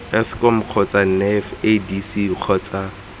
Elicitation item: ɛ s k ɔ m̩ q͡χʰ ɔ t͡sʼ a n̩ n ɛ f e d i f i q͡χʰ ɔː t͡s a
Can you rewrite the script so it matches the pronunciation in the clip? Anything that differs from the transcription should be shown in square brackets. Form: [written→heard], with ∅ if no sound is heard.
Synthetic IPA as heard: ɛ s k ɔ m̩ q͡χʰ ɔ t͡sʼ a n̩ n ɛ f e d i [f→s] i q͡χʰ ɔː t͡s a